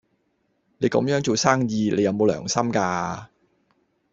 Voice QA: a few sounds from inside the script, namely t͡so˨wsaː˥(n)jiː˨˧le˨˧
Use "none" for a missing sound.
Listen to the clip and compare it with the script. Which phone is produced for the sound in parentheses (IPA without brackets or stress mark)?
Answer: ŋ